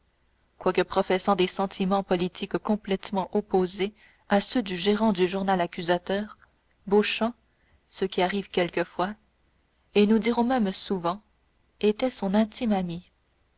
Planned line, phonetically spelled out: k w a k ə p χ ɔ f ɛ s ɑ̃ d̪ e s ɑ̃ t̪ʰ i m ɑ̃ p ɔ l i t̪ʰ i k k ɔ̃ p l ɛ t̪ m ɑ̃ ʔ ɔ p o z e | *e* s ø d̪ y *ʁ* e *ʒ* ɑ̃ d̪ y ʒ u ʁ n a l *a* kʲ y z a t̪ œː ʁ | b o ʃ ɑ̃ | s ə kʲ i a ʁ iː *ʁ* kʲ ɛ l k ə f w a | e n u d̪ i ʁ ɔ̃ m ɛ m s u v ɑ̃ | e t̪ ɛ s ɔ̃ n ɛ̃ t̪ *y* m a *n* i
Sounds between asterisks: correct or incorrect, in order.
incorrect: a, incorrect: ʒ, incorrect: ʁ, correct, incorrect: v, incorrect: i, incorrect: m

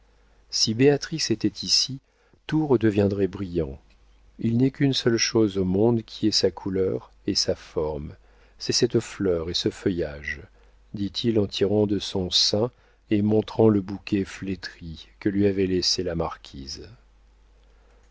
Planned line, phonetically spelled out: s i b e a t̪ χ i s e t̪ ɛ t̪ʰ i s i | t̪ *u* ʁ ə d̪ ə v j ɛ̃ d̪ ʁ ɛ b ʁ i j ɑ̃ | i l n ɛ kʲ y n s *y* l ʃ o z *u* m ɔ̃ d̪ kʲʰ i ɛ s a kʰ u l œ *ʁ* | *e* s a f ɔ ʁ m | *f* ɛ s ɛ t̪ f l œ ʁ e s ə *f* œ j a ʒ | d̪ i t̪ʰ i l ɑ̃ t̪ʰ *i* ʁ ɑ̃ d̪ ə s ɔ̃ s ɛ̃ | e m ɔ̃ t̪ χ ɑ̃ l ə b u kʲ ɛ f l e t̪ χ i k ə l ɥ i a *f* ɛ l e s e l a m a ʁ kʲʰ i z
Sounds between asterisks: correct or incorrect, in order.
correct, incorrect: œ, incorrect: o, correct, correct, incorrect: s, correct, correct, incorrect: v

